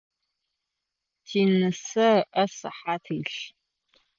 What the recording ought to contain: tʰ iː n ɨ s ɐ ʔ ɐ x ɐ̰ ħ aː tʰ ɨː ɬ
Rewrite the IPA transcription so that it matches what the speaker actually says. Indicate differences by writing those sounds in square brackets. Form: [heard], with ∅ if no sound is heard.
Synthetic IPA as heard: tʰ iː n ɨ s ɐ ʔ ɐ [s] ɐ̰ ħ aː tʰ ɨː ɬ